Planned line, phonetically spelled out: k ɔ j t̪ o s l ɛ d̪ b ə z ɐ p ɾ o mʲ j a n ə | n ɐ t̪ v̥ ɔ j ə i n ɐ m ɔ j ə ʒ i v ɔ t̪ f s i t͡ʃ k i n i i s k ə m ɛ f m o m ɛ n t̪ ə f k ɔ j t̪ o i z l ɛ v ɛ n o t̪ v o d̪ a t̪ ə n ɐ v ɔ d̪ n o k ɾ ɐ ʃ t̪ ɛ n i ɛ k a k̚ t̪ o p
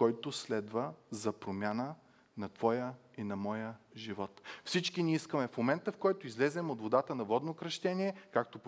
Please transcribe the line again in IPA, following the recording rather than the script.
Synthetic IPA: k ɔ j t̪ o s l ɛ d̪ v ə z ɐ p ɾ o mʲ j a n ə | n ɐ t̪ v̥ ɔ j ə i n ɐ m ɔ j ə ʒ i v ɔ t̪ f s i t͡ʃ k i n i i s k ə m ɛ f m o m ɛ n t̪ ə f k ɔ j t̪ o i z l ɛ z ɛ m o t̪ v o d̪ a t̪ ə n ɐ v ɔ d̪ n o k ɾ ɐ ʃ t̪ ɛ n i ɛ k a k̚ t̪ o p